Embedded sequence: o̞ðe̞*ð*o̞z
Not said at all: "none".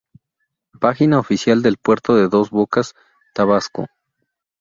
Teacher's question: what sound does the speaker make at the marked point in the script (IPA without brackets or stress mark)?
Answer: ð